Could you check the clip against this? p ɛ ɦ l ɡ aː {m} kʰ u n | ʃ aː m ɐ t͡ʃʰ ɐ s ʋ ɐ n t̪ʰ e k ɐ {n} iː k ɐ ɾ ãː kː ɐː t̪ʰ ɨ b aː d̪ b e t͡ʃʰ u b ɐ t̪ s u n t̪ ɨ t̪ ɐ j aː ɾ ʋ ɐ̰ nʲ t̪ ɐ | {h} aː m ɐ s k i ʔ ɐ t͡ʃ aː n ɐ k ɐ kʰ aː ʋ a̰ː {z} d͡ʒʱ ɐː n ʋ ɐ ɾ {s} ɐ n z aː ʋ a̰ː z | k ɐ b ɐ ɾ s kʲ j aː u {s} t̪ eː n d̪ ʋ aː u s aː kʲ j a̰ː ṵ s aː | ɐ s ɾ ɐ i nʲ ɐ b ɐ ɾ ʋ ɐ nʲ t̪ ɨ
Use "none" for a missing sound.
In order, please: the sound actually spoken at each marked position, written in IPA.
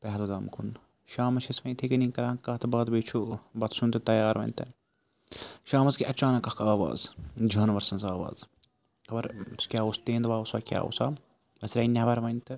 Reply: m, n, ʃ, z, s, s

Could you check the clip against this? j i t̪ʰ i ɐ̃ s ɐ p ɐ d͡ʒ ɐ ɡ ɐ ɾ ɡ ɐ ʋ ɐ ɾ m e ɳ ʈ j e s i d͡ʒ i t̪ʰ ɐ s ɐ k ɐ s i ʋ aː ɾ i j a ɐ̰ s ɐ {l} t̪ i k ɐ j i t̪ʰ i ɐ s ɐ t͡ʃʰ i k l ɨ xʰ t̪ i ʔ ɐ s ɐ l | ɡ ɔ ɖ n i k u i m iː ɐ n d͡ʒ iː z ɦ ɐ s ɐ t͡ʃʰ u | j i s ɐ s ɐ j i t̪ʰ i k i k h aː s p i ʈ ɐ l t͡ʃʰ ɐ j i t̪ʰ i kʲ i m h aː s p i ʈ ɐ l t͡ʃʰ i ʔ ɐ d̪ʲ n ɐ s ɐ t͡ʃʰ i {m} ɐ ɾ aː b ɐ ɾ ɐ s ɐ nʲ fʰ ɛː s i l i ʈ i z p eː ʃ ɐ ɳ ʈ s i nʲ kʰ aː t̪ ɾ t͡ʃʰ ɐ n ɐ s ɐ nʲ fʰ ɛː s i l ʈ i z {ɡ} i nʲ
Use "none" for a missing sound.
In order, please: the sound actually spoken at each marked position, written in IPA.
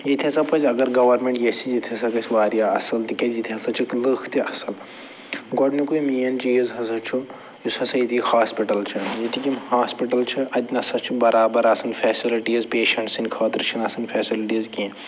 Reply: l, b, k

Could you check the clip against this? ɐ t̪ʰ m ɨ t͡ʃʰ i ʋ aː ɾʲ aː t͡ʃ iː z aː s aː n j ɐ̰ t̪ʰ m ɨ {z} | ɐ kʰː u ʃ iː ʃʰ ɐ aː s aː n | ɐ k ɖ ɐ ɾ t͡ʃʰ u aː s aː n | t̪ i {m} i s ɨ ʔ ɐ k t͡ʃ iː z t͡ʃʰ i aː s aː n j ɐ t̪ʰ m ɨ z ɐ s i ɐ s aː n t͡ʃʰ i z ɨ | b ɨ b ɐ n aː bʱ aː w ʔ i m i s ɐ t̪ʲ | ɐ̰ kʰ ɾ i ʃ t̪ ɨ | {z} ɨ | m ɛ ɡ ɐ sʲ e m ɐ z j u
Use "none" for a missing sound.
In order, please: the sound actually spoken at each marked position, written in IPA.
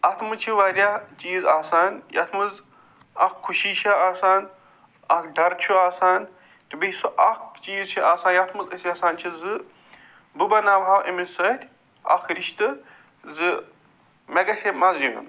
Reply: z, b, z

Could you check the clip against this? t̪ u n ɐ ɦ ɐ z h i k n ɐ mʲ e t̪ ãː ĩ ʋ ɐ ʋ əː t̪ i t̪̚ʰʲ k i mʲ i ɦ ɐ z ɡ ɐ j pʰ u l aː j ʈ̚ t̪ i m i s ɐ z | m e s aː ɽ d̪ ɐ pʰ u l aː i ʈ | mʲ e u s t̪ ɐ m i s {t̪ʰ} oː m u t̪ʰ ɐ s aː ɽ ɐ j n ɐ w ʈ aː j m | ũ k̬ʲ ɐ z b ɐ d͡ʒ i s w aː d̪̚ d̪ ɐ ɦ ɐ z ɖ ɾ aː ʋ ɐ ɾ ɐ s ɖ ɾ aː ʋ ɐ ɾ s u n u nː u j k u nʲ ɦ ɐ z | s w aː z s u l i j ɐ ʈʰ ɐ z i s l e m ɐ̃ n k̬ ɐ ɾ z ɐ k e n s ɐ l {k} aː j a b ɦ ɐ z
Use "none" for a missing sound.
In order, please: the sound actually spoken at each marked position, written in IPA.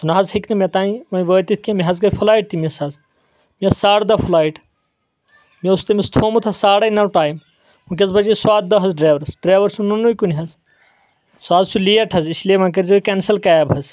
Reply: t̪ʰ, k

